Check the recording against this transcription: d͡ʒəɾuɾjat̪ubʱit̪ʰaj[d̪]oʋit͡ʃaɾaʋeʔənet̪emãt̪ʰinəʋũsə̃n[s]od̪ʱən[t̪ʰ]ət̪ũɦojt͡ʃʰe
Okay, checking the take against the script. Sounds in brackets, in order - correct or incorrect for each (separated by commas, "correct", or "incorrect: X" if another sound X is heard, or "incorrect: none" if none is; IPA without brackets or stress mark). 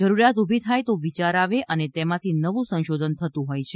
incorrect: t̪, incorrect: ʃ, correct